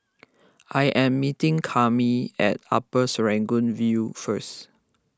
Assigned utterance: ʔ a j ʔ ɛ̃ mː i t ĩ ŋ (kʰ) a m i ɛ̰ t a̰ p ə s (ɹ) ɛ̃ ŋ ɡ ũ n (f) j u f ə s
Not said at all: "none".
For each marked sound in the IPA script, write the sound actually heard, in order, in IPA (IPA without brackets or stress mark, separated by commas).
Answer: kʰ, ɹ, v